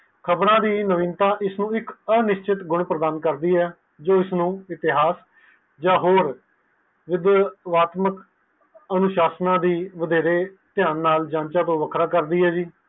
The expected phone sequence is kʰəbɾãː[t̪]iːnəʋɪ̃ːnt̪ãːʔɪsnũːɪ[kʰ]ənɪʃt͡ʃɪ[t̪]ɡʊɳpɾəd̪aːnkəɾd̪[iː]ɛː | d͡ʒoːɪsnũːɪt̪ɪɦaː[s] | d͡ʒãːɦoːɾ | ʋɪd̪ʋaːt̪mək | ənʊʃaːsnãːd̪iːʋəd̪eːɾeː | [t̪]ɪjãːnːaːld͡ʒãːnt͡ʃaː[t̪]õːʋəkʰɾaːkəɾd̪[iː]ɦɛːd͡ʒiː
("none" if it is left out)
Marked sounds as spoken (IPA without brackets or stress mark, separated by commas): d̪, k, t̪, iː, s, t̪, t̪, iː